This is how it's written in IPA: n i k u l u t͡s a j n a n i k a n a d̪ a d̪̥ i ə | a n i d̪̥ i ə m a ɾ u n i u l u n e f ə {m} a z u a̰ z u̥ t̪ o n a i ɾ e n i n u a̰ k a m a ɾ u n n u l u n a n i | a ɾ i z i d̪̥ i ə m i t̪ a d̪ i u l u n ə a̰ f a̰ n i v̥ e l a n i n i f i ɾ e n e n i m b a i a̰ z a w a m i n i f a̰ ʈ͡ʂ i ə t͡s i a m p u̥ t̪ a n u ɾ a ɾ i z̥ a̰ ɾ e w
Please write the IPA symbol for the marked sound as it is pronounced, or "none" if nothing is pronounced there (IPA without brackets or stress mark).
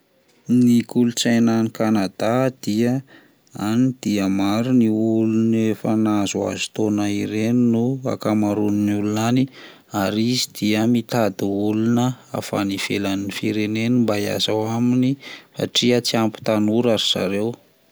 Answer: n